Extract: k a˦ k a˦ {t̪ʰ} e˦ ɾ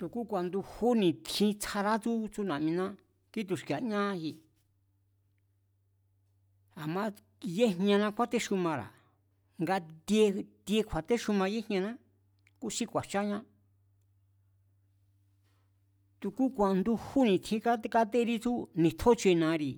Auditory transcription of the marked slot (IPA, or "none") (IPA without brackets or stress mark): t̪